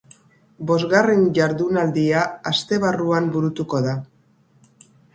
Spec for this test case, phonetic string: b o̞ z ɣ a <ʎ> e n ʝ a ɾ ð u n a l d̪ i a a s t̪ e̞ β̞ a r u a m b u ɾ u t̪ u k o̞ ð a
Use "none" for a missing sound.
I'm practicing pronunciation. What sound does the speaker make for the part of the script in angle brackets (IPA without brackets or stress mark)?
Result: r